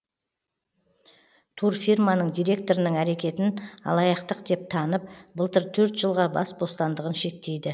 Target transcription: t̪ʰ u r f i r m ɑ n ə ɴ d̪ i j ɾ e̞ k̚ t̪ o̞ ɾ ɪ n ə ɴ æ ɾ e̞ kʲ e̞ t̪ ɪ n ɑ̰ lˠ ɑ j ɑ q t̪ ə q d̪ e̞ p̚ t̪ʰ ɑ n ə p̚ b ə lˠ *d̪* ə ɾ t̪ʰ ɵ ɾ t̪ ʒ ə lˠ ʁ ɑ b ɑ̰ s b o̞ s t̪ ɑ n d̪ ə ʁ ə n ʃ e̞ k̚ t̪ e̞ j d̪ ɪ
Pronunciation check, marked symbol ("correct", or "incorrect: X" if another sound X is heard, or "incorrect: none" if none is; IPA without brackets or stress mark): incorrect: t̪